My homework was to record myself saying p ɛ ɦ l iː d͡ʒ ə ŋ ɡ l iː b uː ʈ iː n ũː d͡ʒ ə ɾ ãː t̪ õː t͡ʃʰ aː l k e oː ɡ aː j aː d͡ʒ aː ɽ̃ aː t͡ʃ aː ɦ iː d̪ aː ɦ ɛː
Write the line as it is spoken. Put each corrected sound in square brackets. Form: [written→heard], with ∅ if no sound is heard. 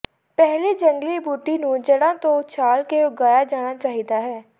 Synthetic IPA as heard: p ɛ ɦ l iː d͡ʒ ə ŋ ɡ l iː b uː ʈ iː n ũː d͡ʒ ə [ɾ→ɽ] ãː t̪ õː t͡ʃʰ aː l k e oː ɡ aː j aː d͡ʒ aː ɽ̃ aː t͡ʃ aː ɦ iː d̪ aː ɦ ɛː